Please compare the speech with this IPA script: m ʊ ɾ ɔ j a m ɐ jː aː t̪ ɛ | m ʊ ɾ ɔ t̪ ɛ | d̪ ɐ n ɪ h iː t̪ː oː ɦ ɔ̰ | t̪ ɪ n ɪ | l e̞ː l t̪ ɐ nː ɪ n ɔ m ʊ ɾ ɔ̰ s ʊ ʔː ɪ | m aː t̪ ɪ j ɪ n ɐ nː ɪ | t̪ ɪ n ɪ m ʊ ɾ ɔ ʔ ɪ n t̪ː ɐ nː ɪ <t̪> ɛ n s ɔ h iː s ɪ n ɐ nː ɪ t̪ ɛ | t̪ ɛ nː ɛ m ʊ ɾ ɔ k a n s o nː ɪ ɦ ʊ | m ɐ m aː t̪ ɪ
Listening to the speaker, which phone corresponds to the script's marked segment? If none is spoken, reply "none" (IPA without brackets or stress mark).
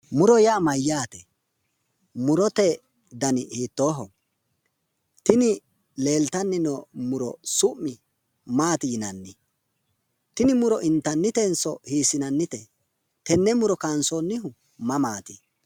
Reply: t̪